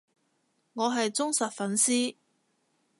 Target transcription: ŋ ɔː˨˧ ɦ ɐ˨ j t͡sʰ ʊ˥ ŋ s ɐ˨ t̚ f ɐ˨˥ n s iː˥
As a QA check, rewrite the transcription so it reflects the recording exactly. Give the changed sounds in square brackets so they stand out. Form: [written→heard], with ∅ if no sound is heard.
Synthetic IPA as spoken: ŋ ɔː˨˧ ɦ ɐ˨ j [t͡sʰ→t͡s] ʊ˥ ŋ s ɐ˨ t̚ f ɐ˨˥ n s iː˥